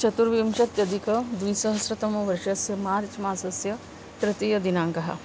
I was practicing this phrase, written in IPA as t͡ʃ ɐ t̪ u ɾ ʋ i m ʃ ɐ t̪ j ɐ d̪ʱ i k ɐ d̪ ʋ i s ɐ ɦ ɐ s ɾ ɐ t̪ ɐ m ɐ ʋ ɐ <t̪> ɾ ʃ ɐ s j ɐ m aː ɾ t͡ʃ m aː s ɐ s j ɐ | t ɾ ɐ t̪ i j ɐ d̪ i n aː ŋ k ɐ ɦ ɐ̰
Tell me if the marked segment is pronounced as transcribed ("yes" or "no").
no